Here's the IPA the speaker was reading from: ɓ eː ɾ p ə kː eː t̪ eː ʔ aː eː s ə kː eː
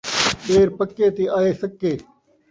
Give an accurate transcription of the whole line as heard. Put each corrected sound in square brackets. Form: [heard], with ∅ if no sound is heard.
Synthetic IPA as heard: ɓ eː ɾ p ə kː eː t̪ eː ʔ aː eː s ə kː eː